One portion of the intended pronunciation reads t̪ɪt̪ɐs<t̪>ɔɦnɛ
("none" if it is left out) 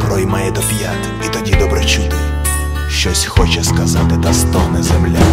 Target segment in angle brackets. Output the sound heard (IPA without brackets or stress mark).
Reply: t̪